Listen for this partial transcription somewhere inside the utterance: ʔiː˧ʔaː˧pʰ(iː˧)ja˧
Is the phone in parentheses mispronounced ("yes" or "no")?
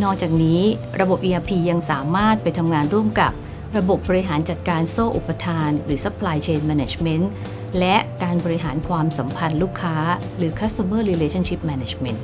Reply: no